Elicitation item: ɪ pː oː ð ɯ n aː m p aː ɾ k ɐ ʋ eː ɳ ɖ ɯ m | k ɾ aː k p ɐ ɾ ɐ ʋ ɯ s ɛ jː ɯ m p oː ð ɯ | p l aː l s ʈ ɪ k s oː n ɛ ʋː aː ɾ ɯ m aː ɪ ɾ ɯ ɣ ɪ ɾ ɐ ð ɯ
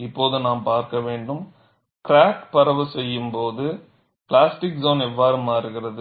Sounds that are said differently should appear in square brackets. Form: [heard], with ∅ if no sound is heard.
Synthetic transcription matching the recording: ɪ pː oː ð ɯ n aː m p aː ɾ k ɐ ʋ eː ɳ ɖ ɯ m | k ɾ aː k p ɐ ɾ ɐ ʋ ɯ s ɛ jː ɯ m p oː ð ɯ | p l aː [∅] s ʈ ɪ k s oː n ɛ ʋː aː ɾ ɯ m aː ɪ ɾ ɯ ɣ ɪ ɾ ɐ ð ɯ